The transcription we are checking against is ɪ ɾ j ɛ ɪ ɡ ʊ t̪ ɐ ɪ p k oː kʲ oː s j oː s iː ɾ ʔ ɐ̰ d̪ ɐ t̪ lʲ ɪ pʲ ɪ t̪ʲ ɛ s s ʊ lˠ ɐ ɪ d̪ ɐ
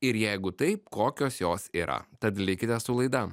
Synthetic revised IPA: ɪ ɾ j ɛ ɪ ɡ ʊ t̪ ɐ ɪ p k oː kʲ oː s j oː s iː ɾ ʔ ɐ̰ t̪ ɐ t̪ lʲ ɪ kʲ ɪ t̪ʲ ɛ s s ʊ lˠ ɐ ɪ d̪ ɐ